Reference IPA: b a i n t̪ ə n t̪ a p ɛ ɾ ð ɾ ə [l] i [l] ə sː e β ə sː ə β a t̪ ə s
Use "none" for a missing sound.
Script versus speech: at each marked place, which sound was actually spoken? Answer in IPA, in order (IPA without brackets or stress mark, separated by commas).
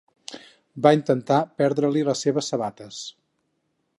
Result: l, l